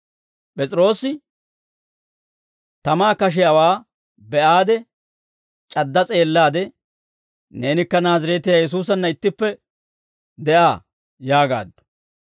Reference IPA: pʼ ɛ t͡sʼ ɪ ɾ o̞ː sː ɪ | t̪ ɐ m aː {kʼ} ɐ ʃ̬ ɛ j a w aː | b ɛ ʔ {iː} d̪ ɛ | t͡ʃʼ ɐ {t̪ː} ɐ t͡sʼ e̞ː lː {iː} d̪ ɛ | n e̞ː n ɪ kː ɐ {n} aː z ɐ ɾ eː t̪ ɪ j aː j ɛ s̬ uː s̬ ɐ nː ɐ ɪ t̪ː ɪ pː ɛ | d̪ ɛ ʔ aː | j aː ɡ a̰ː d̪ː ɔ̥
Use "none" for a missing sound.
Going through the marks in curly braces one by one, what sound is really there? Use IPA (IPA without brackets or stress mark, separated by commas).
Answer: k, aː, d̪ː, aː, n